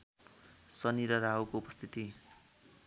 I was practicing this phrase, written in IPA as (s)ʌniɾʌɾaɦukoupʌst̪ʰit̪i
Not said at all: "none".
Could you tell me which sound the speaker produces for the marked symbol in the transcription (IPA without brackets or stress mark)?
s